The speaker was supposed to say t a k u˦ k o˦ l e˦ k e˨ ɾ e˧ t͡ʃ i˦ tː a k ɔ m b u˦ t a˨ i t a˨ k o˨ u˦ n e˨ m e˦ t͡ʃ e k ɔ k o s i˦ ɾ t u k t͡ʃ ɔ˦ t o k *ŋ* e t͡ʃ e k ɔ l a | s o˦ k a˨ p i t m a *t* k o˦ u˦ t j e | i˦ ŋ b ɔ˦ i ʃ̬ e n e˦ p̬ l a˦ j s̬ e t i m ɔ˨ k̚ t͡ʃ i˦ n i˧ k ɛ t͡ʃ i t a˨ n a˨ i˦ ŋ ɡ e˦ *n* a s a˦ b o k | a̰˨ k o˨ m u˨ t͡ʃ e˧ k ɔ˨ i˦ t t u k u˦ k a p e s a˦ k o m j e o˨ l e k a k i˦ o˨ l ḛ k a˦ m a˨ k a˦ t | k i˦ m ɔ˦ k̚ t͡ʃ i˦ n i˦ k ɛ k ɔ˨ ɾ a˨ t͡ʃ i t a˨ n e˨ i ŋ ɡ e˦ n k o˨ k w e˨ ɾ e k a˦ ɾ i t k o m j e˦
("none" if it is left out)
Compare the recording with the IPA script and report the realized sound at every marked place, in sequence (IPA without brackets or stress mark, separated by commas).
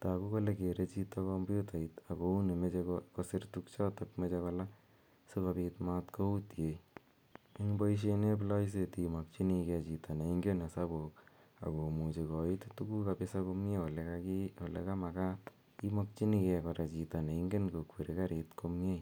m, t, n